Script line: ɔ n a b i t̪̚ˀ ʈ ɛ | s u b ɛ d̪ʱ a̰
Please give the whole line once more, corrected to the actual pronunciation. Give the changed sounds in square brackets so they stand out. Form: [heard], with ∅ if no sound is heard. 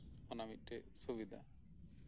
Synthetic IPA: ɔ n a [m] i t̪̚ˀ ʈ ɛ | s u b [i] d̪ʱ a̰